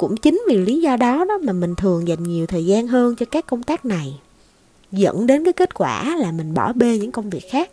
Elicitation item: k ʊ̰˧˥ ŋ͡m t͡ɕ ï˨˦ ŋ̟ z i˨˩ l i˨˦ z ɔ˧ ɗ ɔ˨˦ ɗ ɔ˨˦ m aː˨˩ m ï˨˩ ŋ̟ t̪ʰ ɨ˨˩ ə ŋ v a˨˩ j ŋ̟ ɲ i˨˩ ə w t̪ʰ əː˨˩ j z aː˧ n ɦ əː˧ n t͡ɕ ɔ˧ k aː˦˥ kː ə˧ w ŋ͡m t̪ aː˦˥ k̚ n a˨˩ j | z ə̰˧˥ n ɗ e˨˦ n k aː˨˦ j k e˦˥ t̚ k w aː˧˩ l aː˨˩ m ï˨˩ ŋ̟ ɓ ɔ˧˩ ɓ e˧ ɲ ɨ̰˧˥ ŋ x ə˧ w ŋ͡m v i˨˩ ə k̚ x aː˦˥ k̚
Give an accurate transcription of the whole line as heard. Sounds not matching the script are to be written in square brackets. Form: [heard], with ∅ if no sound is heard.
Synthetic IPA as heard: k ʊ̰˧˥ ŋ͡m t͡ɕ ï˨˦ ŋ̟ [v] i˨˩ l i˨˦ z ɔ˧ ɗ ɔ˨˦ ɗ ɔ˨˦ m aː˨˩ m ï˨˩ ŋ̟ t̪ʰ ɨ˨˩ ə ŋ [z] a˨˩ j ŋ̟ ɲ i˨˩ ə w t̪ʰ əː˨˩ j z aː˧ n ɦ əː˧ n t͡ɕ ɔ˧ k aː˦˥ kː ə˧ w ŋ͡m t̪ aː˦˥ k̚ n a˨˩ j | z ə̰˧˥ n ɗ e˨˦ n k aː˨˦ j k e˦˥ t̚ k w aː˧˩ l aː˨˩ m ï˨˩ ŋ̟ ɓ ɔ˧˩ ɓ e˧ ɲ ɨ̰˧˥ ŋ [k] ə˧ w ŋ͡m v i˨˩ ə k̚ x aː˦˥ k̚